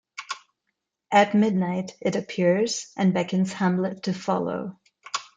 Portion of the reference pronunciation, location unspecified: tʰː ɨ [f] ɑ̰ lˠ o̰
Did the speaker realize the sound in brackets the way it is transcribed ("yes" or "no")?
yes